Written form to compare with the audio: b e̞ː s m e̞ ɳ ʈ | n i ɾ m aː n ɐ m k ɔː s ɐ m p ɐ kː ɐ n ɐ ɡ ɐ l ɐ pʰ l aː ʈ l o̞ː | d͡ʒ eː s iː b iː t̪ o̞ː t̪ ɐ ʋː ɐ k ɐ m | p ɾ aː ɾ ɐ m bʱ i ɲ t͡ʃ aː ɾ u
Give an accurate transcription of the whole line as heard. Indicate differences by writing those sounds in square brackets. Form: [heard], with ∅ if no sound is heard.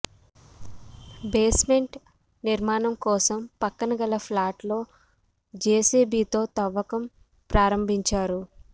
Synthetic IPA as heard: b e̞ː s m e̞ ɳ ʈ | n i ɾ m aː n ɐ m k ɔː s ɐ m p ɐ kː ɐ n ɐ ɡ ɐ l ɐ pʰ l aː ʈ l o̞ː | d͡ʒ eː s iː b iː t̪ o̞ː t̪ ɐ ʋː ɐ k ɐ m | p ɾ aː ɾ ɐ m bʱ i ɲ t͡ʃ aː ɾ u